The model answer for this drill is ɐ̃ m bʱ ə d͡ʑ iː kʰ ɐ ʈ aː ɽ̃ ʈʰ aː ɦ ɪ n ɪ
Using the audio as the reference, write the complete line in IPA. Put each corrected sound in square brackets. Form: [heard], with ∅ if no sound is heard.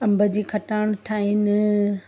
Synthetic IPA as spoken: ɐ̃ m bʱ ə d͡ʑ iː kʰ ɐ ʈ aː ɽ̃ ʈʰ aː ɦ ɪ n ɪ